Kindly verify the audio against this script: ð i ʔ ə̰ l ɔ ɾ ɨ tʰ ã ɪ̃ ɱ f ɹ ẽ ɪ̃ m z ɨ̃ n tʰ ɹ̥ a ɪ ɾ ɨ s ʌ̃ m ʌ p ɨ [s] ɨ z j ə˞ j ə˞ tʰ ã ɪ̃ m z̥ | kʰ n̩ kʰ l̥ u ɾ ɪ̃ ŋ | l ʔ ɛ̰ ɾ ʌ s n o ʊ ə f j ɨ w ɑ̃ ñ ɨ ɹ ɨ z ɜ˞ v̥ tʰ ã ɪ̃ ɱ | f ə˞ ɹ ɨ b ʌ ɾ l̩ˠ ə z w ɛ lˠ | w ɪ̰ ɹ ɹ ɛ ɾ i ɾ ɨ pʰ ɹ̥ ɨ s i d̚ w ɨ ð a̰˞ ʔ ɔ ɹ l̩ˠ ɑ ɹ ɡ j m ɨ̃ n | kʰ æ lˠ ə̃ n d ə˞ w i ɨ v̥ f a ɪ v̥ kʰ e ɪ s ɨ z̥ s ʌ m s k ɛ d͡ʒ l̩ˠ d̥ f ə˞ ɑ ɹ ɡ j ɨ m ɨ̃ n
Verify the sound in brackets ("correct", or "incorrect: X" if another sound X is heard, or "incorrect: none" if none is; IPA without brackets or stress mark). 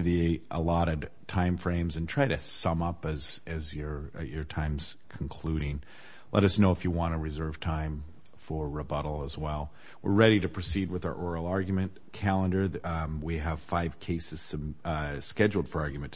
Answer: incorrect: z